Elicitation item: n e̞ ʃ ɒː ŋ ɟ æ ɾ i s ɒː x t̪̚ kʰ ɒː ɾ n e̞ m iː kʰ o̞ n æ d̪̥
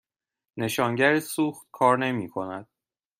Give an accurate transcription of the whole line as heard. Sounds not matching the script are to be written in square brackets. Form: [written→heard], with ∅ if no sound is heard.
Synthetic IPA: n e̞ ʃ ɒː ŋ ɟ æ ɾ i s [ɒː→uː] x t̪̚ kʰ ɒː ɾ n e̞ m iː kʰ o̞ n æ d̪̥

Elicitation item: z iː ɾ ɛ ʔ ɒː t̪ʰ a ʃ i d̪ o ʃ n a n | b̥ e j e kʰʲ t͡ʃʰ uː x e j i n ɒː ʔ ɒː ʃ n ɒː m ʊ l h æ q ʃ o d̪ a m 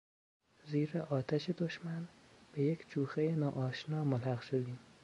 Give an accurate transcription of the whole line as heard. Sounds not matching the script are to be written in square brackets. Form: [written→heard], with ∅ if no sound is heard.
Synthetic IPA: z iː ɾ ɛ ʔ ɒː t̪ʰ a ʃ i d̪ o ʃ [n→m] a n | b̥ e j e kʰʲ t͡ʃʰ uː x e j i n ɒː ʔ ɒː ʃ n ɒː m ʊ l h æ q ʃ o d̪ [a→i] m

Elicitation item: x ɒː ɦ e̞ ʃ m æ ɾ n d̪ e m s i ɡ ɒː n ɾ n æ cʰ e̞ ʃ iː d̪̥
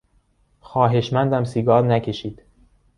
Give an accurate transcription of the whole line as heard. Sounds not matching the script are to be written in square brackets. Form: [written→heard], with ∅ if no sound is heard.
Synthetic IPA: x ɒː ɦ e̞ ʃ m æ [ɾ→∅] n d̪ [e→æ] m s i ɡ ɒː [n→∅] ɾ n æ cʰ e̞ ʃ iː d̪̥

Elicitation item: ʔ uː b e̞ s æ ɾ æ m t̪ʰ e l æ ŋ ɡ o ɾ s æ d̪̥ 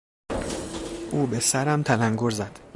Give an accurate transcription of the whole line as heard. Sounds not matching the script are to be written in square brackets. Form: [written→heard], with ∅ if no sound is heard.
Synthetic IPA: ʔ uː b e̞ s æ ɾ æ m t̪ʰ [e→æ] l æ ŋ ɡ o ɾ [s→z] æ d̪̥

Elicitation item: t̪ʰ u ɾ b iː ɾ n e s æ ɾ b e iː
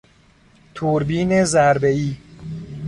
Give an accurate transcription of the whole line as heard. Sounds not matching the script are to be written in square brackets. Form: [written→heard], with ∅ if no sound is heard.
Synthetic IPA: t̪ʰ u ɾ b iː [ɾ→∅] n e [s→z] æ ɾ b e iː

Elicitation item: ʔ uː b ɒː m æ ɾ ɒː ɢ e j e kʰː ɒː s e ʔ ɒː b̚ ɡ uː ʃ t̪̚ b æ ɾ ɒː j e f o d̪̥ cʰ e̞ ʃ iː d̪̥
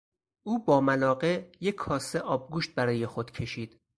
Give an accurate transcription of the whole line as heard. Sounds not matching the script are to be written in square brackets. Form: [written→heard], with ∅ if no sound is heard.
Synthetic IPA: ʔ uː b ɒː m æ [ɾ→l] ɒː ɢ e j e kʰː ɒː s e ʔ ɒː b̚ ɡ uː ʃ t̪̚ b æ ɾ ɒː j e [f→x] o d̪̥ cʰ e̞ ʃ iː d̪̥

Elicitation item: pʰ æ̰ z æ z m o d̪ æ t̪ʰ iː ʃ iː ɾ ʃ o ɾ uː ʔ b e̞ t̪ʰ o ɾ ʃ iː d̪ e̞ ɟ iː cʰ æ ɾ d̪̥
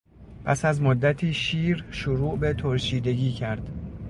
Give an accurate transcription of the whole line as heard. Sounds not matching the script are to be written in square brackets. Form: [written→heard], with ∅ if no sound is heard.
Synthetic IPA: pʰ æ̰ [z→s] æ z m o [d̪→d̪ː] æ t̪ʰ iː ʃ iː ɾ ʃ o ɾ uː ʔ b e̞ t̪ʰ o ɾ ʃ iː d̪ e̞ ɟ iː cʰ æ ɾ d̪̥

